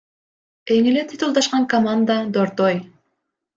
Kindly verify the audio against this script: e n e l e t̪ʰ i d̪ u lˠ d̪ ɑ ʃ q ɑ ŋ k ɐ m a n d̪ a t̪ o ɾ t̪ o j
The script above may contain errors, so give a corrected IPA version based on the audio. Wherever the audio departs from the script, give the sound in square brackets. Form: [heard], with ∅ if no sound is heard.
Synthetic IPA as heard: e [ŋ] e l e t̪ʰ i [t̪] u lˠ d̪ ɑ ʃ q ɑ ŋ k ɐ m a n d̪ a [d̪] o ɾ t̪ o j